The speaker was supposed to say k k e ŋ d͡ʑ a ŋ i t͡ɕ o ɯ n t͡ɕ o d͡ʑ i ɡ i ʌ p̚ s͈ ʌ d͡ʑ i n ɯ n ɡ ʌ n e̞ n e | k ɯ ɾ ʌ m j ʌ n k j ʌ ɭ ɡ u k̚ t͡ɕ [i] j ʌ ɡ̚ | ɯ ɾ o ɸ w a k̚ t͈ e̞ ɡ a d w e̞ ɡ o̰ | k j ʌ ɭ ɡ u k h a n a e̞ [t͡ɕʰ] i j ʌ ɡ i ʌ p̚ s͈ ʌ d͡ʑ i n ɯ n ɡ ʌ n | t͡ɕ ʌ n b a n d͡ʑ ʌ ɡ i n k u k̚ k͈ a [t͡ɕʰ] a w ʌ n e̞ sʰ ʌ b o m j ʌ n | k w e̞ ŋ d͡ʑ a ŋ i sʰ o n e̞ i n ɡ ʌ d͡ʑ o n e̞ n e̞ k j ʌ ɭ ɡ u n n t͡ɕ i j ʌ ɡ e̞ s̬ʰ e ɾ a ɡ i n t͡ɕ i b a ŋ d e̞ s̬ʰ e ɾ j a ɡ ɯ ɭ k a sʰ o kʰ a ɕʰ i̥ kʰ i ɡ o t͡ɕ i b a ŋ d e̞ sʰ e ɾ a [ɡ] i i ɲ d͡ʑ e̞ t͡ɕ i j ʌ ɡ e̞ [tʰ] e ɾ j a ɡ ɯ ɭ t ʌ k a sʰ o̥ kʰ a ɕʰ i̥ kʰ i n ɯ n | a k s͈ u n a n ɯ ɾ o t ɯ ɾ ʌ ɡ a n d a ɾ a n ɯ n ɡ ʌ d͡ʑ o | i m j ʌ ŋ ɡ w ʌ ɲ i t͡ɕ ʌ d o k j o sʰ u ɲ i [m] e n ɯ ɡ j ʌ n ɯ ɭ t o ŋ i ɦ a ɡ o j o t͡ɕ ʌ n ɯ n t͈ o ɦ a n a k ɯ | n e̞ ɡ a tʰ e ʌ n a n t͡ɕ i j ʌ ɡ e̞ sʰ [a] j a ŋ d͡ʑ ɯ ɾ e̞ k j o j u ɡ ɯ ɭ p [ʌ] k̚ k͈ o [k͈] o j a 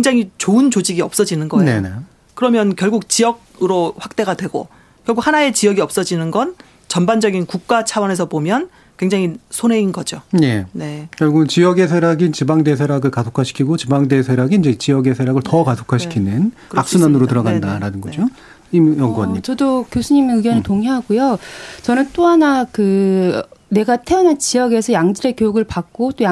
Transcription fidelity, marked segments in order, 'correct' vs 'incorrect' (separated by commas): correct, incorrect, correct, correct, incorrect, correct, incorrect, incorrect, incorrect